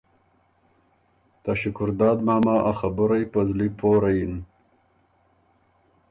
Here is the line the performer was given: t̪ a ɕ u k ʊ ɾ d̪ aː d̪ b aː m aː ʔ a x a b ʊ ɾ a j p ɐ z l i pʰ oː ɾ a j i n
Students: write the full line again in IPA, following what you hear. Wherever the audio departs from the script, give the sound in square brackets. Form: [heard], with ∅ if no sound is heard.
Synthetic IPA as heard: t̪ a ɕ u k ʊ ɾ d̪ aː d̪ [m] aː m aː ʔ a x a b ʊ ɾ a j p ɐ z l i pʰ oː ɾ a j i n